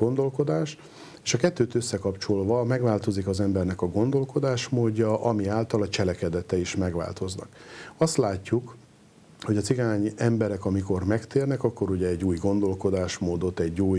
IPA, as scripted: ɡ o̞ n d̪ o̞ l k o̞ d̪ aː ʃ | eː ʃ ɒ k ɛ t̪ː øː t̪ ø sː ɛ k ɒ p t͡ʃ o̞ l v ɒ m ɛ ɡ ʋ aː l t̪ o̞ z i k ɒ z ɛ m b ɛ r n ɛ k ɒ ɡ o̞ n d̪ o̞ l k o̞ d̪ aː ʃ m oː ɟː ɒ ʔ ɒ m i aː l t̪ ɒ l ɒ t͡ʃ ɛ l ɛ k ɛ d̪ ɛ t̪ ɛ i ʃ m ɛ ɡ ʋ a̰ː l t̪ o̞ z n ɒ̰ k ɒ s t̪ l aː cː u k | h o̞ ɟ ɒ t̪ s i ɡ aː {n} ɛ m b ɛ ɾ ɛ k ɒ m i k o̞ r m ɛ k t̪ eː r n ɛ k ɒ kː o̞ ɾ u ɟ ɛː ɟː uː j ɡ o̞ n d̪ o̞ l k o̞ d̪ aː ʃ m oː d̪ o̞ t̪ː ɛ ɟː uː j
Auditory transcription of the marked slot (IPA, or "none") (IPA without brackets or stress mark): ɲ